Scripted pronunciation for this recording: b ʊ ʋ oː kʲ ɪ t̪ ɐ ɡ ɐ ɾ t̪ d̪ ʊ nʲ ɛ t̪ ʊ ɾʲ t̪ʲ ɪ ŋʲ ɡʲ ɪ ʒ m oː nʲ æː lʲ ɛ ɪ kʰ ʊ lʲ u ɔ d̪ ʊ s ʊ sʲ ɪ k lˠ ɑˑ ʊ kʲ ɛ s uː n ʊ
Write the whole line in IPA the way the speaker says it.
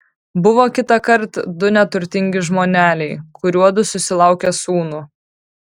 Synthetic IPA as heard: b ʊ ʋ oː kʲ ɪ t̪ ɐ k ɐ ɾ t̪ d̪ ʊ nʲ ɛ t̪ ʊ ɾʲ t̪ʲ ɪ ŋʲ ɡʲ ɪ ʒ m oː nʲ æː lʲ ɛ ɪ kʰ ʊ ɾʲ u ɔ d̪ ʊ s ʊ sʲ ɪ lˠ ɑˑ ʊ kʲ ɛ s uː n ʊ

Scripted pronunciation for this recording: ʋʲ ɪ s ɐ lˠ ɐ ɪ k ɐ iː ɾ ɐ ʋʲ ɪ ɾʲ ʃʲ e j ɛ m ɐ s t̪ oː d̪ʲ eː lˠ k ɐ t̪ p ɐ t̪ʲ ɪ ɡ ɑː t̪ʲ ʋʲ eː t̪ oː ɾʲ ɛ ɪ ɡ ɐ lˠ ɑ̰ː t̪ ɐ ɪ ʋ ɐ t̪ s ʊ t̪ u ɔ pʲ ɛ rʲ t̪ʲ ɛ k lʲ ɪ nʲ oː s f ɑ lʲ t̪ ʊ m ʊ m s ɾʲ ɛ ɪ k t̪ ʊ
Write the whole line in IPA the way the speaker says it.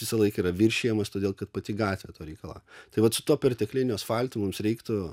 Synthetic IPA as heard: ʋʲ ɪ s ɐ lˠ ɐ ɪ k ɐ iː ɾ ɐ ʋʲ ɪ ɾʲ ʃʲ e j ɛ m ɐ s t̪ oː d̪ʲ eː lˠ k ɐ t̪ p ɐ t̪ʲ ɪ ɡ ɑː t̪ʲ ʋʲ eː t̪ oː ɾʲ ɛ ɪ k ɐ lˠ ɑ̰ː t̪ ɐ ɪ ʋ ɐ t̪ s ʊ t̪ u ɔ pʲ ɛ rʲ t̪ʲ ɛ k lʲ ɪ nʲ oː s f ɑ lʲ t̪ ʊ m ʊ m s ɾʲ ɛ ɪ k t̪ ʊ

